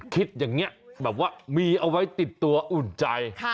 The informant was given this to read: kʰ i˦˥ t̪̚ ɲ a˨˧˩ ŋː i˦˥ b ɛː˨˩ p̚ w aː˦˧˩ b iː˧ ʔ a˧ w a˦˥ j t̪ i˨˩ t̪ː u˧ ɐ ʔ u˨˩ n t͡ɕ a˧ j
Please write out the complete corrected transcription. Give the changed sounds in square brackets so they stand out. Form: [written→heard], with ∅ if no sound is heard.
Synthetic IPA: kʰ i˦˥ t̪̚ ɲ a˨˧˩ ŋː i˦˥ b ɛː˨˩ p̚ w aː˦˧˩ [b→m] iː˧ ʔ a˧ w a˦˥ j t̪ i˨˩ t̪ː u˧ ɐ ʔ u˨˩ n t͡ɕ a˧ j